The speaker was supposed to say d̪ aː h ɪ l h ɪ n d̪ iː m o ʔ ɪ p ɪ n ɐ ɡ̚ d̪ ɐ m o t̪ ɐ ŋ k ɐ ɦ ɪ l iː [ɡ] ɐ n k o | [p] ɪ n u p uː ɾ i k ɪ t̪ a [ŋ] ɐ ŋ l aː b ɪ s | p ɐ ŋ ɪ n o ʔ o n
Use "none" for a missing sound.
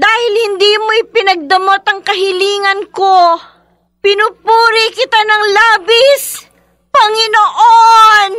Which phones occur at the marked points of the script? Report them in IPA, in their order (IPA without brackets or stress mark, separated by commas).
ŋ, p, n